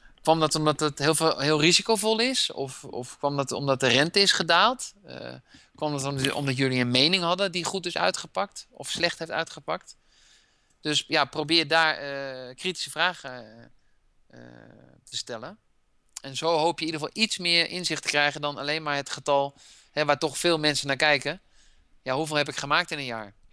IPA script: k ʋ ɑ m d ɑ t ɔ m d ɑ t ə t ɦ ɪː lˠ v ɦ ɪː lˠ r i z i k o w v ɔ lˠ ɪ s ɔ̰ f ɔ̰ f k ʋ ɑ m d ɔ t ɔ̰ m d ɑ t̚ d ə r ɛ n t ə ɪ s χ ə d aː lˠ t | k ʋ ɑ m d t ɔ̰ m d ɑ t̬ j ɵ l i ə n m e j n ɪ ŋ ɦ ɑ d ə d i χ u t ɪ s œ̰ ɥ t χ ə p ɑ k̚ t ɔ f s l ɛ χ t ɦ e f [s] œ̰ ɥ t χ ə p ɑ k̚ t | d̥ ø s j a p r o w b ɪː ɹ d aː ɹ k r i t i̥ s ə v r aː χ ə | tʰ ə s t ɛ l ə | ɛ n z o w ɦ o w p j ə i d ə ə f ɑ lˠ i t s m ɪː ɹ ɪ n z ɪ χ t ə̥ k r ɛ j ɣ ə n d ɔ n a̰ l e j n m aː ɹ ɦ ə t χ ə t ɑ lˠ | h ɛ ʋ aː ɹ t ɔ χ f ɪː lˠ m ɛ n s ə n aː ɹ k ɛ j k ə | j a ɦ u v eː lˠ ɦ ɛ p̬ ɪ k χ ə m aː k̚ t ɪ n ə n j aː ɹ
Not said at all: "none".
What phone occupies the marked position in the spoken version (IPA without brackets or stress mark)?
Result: t